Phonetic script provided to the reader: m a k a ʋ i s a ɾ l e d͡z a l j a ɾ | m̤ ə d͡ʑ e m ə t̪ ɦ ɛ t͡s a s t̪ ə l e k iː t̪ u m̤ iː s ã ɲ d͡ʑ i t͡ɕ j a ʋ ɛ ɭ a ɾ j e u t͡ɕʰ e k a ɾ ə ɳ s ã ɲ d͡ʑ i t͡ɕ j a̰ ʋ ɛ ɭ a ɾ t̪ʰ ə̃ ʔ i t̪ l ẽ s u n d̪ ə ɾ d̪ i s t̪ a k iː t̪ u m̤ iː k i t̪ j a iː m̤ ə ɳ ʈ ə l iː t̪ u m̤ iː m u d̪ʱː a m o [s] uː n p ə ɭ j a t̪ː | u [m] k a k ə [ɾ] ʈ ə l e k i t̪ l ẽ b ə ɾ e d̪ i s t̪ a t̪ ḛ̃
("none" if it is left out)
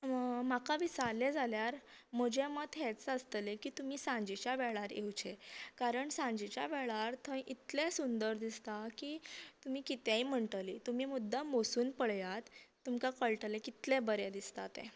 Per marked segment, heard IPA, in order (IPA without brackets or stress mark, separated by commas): s, m, ɭ